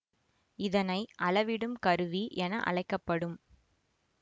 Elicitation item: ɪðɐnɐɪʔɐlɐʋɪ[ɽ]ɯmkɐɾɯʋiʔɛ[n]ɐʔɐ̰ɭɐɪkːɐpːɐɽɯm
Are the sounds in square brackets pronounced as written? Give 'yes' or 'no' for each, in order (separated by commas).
yes, yes